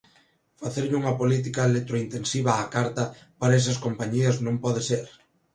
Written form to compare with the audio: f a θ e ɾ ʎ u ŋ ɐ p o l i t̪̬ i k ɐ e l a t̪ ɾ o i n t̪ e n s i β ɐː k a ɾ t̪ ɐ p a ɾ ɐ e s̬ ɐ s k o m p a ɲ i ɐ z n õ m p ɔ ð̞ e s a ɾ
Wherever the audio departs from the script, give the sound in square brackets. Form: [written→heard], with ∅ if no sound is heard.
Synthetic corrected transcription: f a θ e ɾ ʎ u ŋ ɐ p o l i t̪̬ i k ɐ e l [a→e] t̪ ɾ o i n t̪ e n s i β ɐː k a ɾ t̪ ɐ p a ɾ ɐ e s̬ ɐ s k o m p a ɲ i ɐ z n õ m p ɔ ð̞ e s [a→e] ɾ